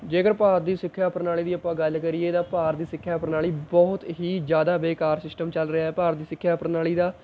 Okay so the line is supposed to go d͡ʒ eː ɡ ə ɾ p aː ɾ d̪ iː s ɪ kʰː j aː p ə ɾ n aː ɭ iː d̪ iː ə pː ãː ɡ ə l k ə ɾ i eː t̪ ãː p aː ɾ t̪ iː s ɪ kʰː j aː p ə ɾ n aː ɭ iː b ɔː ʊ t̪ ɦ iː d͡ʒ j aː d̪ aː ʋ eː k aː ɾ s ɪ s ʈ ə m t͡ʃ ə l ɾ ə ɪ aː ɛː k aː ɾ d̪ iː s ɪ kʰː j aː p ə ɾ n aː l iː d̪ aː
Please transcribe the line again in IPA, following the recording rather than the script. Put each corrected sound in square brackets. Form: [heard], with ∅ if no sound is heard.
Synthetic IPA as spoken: d͡ʒ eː [k] ə ɾ p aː ɾ d̪ iː s ɪ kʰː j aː p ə ɾ n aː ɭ iː d̪ iː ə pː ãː ɡ ə l k ə ɾ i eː t̪ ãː p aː ɾ [d̪] iː s ɪ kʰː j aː p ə ɾ n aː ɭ iː b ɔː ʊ t̪ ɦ iː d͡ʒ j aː d̪ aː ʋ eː k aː ɾ s ɪ s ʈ ə m t͡ʃ ə l ɾ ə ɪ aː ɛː [p] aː ɾ d̪ iː s ɪ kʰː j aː p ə ɾ n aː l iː d̪ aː